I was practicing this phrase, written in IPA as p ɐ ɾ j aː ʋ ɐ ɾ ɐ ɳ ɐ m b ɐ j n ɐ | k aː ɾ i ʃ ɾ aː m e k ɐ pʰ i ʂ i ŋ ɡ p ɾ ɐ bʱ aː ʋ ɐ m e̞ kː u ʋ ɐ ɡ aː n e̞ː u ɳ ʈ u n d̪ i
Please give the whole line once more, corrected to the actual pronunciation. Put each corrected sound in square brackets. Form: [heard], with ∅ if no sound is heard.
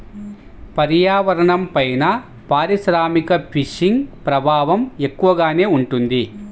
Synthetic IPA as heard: p ɐ ɾ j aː ʋ ɐ ɾ ɐ ɳ ɐ m [p] ɐ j n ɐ | [p] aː ɾ i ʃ ɾ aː m [i] k ɐ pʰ i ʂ i ŋ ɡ p ɾ ɐ bʱ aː ʋ ɐ m e̞ kː u ʋ ɐ ɡ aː n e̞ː u ɳ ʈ u n d̪ i

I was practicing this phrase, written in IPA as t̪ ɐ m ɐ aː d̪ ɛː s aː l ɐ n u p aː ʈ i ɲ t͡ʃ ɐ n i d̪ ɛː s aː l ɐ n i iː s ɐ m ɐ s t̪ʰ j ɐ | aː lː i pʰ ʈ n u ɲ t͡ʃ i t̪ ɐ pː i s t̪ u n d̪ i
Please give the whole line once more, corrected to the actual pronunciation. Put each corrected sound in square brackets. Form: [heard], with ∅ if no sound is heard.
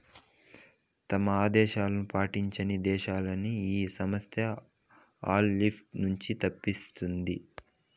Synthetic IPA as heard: t̪ ɐ m ɐ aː d̪ ɛː [ʃ] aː l ɐ n u p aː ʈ i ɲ t͡ʃ ɐ n i d̪ ɛː [ʃ] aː l ɐ n i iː s ɐ m ɐ s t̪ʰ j ɐ | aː lː i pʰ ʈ n u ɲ t͡ʃ i t̪ ɐ pː i s t̪ u n d̪ i

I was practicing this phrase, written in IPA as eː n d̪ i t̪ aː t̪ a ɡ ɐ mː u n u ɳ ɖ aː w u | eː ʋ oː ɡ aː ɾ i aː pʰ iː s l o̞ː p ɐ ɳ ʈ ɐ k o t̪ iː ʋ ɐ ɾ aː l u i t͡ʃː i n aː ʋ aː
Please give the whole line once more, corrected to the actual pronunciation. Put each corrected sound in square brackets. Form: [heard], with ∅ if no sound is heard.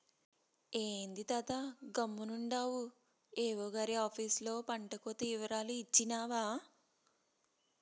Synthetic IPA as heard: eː n d̪ i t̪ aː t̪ a ɡ ɐ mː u n u ɳ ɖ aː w u | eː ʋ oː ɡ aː ɾ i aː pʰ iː s l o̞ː p ɐ ɳ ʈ ɐ k o t̪ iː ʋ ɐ ɾ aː l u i t͡ʃː i n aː ʋ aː

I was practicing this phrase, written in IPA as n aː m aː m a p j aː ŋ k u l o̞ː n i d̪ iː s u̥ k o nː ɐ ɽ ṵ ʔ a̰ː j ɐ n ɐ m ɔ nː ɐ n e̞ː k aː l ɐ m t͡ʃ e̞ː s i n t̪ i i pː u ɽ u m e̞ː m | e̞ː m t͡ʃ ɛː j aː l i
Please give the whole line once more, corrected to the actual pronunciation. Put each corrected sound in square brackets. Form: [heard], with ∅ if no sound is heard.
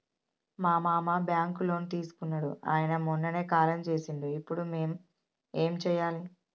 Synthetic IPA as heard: [m] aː m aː m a [b] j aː ŋ k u l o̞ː n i [t̪] iː s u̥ k [u] nː ɐ ɽ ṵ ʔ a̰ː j ɐ n ɐ m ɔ nː ɐ n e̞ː k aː l ɐ m t͡ʃ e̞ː s i n [d̪] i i pː u ɽ u m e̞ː m | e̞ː m t͡ʃ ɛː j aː l i

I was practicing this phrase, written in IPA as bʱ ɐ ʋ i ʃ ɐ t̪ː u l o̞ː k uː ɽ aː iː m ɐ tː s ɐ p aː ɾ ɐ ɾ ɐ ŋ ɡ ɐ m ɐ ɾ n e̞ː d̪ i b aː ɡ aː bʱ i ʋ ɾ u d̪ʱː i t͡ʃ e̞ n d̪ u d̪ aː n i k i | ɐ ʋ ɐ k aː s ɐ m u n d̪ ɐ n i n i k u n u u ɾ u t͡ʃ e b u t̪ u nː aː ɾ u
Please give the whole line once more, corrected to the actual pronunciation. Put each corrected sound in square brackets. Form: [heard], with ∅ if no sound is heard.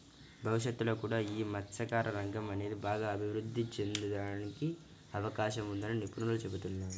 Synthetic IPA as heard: bʱ ɐ ʋ i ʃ ɐ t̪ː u l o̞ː k uː ɽ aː iː m ɐ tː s ɐ [k] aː ɾ ɐ ɾ ɐ ŋ ɡ ɐ m ɐ [∅] n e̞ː d̪ i b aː ɡ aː bʱ i ʋ ɾ u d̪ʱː i t͡ʃ e̞ n d̪ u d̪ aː n i k i | ɐ ʋ ɐ k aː [ʃ] ɐ m u n d̪ ɐ n i n i [p] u n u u [l] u t͡ʃ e b u t̪ u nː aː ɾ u

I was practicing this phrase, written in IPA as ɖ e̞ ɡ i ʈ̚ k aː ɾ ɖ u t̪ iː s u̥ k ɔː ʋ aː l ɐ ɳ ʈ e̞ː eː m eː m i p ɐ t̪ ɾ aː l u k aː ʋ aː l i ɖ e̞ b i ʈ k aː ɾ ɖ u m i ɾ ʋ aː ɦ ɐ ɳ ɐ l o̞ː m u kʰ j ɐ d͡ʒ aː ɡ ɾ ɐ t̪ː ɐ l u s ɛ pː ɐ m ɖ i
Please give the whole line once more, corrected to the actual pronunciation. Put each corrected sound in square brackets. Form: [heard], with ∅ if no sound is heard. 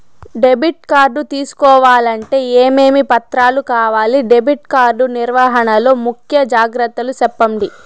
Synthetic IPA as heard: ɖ e̞ [b] i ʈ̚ k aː ɾ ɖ u t̪ iː s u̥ k ɔː ʋ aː l ɐ ɳ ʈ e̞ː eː m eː m i p ɐ t̪ ɾ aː l u k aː ʋ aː l i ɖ e̞ b i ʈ k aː ɾ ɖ u [n] i ɾ ʋ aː ɦ ɐ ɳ ɐ l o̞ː m u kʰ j ɐ d͡ʒ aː ɡ ɾ ɐ t̪ː ɐ l u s ɛ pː ɐ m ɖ i

